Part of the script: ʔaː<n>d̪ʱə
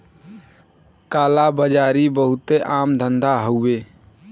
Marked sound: incorrect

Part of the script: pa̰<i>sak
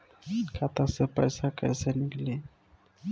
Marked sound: incorrect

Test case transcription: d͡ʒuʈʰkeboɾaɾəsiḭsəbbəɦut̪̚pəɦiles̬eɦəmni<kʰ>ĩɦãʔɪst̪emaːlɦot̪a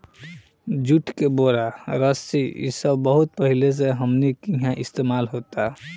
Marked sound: incorrect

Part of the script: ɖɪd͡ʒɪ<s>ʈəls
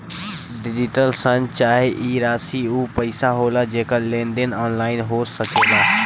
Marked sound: incorrect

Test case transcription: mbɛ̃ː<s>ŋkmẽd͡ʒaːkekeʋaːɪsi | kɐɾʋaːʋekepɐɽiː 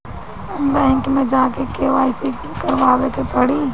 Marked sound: incorrect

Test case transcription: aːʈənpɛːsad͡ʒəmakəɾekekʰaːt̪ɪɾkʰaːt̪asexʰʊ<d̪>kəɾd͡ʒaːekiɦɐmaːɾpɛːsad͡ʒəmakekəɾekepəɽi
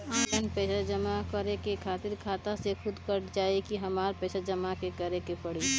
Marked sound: correct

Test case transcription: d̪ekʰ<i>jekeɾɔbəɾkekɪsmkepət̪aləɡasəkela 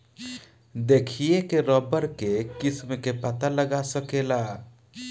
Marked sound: correct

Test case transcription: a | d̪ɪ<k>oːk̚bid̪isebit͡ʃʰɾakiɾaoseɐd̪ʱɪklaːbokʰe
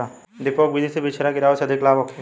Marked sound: incorrect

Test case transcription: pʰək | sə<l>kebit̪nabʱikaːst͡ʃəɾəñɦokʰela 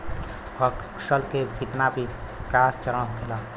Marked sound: correct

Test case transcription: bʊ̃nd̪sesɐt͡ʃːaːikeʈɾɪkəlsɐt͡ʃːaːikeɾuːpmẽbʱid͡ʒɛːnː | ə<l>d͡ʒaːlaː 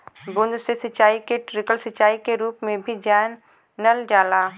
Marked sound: correct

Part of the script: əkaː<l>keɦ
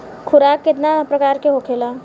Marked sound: incorrect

